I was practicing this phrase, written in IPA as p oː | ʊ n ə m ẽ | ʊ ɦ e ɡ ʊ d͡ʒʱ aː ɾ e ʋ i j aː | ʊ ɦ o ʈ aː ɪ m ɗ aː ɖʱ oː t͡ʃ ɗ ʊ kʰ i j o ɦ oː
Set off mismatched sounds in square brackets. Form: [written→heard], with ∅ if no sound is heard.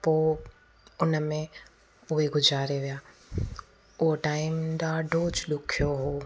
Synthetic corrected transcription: p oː | ʊ n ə m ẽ | ʊ ɦ e ɡ ʊ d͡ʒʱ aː ɾ e ʋ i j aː | ʊ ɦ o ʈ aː ɪ m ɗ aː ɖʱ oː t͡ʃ ɗ ʊ kʰ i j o ɦ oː